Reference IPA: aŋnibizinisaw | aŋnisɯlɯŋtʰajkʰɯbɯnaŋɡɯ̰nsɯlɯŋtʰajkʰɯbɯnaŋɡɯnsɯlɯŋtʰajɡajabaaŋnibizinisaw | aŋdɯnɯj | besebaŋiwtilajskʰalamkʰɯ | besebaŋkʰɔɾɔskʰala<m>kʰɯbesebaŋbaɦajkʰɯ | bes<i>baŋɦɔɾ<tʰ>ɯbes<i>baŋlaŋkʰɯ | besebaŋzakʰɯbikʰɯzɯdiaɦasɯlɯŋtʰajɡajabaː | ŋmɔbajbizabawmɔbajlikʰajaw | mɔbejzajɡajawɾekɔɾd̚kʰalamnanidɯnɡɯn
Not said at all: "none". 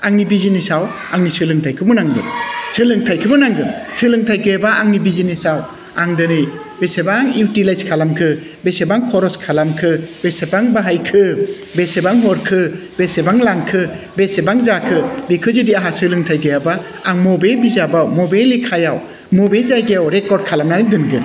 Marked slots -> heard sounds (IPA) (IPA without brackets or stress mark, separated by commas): m, e, kʰ, e